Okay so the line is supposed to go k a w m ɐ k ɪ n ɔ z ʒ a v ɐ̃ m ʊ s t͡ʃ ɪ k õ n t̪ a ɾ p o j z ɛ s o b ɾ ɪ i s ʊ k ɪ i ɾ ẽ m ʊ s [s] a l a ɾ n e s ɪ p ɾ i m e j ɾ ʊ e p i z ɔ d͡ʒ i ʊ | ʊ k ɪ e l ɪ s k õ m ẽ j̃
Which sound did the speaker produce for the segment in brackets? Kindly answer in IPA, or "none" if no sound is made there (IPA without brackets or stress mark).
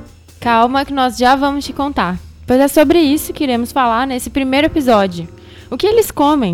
f